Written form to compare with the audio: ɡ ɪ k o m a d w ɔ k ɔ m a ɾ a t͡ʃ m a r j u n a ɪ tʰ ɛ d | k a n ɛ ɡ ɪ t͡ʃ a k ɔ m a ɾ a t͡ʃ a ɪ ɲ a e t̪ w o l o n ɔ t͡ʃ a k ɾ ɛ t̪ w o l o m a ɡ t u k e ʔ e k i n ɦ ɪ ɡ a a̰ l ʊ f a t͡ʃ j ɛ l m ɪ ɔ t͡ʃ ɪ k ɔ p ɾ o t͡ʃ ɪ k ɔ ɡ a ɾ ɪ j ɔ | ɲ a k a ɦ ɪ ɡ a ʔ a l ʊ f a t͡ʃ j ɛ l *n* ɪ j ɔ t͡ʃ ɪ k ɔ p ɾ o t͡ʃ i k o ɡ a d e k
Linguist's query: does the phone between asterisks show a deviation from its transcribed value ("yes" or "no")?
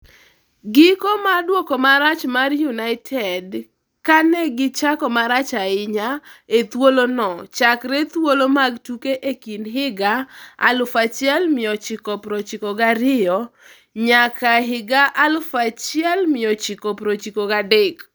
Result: yes